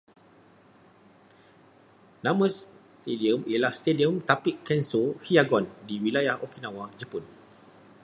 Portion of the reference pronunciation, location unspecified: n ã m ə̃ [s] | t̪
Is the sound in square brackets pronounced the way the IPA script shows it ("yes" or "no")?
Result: yes